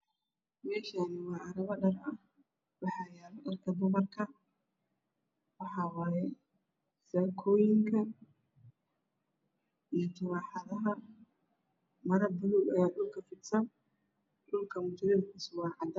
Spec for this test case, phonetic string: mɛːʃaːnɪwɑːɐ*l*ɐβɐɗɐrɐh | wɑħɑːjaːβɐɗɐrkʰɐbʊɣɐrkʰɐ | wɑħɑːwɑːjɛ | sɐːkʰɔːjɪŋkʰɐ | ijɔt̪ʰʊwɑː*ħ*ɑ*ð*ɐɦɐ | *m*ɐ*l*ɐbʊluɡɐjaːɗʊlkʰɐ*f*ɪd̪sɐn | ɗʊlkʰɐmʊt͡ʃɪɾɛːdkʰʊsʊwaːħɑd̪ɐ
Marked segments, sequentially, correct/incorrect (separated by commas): incorrect, correct, correct, correct, incorrect, correct